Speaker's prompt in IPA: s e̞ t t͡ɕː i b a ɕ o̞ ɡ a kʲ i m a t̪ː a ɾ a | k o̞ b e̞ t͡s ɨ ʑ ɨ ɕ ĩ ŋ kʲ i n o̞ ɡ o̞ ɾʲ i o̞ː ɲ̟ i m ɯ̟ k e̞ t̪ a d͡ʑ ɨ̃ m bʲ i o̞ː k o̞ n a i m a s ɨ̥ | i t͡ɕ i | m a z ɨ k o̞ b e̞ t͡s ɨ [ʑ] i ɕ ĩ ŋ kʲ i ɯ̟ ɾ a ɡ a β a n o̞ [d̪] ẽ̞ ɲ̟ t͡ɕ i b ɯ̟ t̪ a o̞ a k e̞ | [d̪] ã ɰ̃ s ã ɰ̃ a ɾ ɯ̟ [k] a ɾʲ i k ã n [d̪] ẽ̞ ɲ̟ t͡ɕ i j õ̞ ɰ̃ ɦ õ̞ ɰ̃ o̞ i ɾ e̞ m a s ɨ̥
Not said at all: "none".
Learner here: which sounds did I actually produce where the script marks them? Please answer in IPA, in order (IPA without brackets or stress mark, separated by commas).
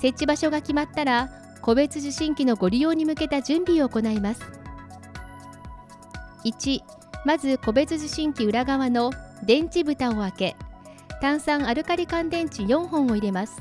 ʑ, d̪, t̪, k, d̪